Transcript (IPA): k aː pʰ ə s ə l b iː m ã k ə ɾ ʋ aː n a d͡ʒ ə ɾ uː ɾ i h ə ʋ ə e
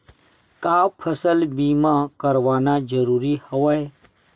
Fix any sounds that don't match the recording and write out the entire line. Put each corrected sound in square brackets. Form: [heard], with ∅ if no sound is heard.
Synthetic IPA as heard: k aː pʰ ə s ə l b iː m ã k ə ɾ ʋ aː n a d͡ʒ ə ɾ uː ɾ i h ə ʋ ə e